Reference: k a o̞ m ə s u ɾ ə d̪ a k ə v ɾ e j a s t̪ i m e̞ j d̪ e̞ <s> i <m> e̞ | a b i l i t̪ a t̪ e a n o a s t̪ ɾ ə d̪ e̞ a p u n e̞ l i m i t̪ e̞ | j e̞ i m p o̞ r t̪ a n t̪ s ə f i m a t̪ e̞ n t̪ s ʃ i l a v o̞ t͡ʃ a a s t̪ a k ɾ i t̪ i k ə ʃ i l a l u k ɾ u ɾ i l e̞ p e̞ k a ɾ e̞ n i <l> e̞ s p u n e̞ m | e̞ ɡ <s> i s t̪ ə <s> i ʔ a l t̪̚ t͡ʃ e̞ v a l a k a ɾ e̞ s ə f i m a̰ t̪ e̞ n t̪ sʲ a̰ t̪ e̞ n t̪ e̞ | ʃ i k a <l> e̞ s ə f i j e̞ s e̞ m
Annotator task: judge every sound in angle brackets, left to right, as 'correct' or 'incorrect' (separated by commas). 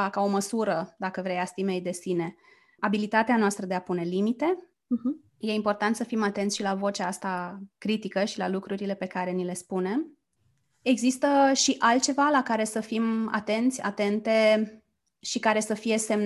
correct, incorrect, correct, incorrect, incorrect, incorrect